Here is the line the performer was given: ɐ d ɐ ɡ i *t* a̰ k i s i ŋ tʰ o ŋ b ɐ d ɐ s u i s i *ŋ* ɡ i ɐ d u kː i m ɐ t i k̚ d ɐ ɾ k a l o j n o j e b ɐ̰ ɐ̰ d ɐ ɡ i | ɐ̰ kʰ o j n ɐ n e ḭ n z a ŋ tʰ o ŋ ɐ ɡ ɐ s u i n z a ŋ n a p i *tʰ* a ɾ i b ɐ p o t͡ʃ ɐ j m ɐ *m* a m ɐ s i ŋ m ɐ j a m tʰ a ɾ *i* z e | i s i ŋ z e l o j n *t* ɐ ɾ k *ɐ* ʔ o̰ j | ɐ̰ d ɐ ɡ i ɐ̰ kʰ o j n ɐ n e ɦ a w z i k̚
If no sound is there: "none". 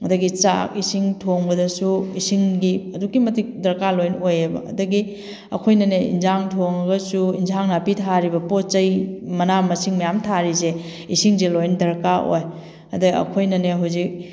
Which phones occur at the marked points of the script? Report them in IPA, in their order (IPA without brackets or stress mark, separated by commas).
t͡ʃ, ŋ, tʰ, n, i, d, a